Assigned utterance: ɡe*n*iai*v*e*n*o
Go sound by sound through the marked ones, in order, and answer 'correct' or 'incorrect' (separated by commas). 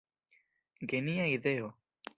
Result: correct, incorrect, incorrect